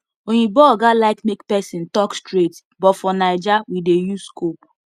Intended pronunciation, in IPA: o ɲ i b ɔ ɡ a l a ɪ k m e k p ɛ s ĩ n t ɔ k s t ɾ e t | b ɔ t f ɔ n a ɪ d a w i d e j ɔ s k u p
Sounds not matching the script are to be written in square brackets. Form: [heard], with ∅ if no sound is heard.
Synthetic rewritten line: o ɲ i b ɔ ɡ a l a ɪ k m e k p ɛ s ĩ n t ɔ k s t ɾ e t | b ɔ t f ɔ n a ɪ [d͡ʒ] a w i d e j [u] s k [o] p